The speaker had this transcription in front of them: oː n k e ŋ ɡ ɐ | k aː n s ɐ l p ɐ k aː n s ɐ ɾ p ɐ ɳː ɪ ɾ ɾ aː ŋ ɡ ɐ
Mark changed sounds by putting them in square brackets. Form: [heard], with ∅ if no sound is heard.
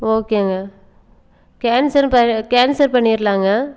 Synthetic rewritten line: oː [∅] k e ŋ ɡ ɐ | k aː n s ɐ [ɾ] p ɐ k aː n s ɐ ɾ p ɐ ɳː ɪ ɾ [l] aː ŋ ɡ ɐ